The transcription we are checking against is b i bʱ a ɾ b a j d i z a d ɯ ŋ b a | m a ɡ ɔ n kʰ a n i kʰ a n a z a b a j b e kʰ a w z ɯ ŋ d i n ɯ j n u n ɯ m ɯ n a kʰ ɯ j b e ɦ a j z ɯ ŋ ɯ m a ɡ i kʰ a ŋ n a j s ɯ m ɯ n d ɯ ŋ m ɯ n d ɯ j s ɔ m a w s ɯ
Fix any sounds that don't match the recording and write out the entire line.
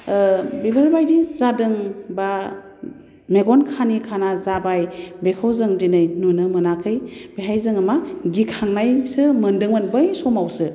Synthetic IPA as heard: b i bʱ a ɾ b a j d i z a d ɯ ŋ b a | m e ɡ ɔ n kʰ a n i kʰ a n a z a b a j b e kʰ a w z ɯ ŋ d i n ɯ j n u n ɯ m ɯ n a kʰ ɯ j b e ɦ a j z ɯ ŋ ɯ m a ɡ i kʰ a ŋ n a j s ɯ m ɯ n d ɯ ŋ m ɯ n b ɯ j s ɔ m a w s ɯ